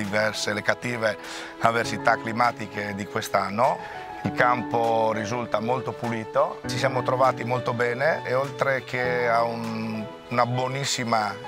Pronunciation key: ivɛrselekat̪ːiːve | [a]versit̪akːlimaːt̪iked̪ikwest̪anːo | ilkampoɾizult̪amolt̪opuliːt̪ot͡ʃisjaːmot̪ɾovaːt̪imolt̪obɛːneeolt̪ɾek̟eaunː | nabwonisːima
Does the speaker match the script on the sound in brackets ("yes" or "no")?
yes